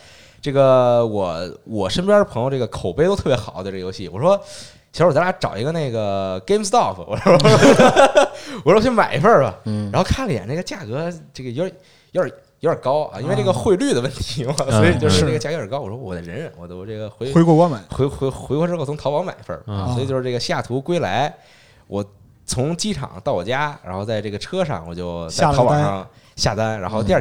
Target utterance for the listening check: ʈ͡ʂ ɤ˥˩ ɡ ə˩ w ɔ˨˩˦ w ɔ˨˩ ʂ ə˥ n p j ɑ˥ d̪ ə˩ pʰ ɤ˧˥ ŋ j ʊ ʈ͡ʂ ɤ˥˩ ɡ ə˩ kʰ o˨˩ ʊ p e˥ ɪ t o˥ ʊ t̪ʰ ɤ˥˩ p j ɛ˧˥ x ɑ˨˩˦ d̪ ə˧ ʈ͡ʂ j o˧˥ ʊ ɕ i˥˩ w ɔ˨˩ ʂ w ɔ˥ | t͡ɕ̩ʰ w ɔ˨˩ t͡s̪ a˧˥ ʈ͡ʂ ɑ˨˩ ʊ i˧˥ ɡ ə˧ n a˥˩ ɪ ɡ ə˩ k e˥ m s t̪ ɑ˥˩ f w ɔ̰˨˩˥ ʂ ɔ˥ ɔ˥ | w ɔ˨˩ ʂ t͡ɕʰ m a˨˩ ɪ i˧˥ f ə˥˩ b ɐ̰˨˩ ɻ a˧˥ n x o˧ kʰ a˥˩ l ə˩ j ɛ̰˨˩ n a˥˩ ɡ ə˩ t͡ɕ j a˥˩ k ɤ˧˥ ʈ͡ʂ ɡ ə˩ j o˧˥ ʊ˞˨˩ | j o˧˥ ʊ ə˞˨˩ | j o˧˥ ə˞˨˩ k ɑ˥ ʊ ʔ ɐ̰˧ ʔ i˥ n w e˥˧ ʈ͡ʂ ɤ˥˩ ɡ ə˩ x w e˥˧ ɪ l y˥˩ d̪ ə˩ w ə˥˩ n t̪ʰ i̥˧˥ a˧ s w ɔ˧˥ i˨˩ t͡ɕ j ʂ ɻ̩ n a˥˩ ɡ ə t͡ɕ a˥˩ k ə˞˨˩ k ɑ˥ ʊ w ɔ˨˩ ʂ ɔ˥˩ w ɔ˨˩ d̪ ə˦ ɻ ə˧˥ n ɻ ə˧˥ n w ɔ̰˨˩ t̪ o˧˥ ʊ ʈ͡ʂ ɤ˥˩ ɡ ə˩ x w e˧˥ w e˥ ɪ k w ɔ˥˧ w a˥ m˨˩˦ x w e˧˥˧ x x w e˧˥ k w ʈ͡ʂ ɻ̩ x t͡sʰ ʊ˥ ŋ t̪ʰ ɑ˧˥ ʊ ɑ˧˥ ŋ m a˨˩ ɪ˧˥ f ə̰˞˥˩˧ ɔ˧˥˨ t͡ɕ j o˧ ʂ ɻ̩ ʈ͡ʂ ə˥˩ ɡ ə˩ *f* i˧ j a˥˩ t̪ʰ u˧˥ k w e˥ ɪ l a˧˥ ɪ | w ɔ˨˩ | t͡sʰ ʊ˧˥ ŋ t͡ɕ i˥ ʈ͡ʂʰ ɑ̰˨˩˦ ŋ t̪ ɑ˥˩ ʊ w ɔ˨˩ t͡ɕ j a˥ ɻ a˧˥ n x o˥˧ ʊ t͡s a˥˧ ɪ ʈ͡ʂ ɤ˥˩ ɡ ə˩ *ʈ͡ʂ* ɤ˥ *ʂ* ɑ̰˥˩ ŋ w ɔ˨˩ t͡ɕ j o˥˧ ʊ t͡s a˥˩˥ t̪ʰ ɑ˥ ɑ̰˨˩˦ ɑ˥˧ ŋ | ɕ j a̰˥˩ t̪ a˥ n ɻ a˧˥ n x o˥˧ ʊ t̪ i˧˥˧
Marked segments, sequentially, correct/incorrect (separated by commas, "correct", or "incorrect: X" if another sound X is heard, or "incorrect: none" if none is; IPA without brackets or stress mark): incorrect: ɕ, incorrect: ʈ͡ʂʰ, correct